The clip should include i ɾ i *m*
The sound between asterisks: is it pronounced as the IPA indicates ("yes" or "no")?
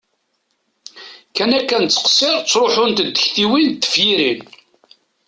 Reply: no